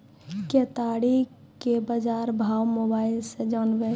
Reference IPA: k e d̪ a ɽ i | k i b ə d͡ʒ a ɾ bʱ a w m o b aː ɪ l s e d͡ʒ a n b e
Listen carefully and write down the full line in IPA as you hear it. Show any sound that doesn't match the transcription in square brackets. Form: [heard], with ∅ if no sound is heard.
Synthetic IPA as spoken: k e [t̪] a ɽ i | k [e] b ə d͡ʒ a ɾ bʱ a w m o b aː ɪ l s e d͡ʒ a n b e